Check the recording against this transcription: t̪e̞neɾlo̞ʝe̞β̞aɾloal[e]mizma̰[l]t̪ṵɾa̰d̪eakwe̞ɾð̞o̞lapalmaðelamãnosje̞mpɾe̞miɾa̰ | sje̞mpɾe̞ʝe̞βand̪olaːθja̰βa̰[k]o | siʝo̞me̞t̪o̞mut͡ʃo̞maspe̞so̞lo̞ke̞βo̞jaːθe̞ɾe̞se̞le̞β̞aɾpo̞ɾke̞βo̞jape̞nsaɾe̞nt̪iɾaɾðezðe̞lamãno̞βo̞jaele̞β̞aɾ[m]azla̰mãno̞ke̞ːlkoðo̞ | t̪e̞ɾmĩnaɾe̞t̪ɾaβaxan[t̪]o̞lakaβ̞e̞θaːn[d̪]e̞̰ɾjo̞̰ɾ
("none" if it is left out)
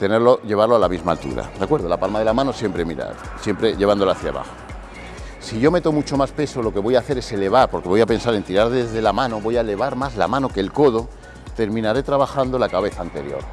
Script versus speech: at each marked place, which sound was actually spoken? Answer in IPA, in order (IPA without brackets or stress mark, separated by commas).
a, l, x, m, d̪, t̪